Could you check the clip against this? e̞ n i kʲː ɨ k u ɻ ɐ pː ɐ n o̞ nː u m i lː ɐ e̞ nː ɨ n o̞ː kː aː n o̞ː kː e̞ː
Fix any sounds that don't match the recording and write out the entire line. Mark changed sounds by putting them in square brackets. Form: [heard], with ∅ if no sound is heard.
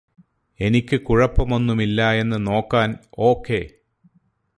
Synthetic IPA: e̞ n i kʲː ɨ k u ɻ ɐ pː ɐ [m] o̞ nː u m i lː ɐ e̞ nː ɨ n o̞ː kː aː n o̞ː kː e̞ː